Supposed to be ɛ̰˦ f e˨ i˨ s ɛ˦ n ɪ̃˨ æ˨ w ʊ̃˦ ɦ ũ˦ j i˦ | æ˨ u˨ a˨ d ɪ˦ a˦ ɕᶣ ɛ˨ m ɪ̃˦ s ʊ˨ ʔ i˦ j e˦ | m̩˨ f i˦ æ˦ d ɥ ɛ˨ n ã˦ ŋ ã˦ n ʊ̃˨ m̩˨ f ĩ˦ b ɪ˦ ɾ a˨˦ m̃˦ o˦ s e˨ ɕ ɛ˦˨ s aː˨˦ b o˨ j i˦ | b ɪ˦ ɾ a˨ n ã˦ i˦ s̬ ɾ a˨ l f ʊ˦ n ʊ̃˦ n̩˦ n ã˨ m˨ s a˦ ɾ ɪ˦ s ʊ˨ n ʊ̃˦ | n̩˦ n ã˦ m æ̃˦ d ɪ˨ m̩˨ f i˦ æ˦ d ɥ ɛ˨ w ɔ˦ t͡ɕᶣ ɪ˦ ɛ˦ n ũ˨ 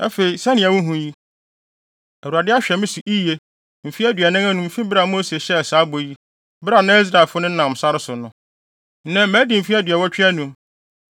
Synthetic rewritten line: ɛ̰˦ f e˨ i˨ s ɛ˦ n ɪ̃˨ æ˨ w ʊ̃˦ ɦ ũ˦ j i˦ | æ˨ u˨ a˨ d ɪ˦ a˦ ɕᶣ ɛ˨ m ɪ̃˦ s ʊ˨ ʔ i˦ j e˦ | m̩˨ f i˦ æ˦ d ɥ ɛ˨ n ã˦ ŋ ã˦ n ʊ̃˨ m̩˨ f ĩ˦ b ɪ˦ ɾ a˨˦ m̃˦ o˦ s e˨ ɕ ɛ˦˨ s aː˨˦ b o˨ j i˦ | b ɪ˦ ɾ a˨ n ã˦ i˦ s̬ ɾ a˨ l f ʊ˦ n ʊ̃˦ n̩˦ n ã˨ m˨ s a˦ ɾ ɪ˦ s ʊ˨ n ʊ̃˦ | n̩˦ n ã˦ m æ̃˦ d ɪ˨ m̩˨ f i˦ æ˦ d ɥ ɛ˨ w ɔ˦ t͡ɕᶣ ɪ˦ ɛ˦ n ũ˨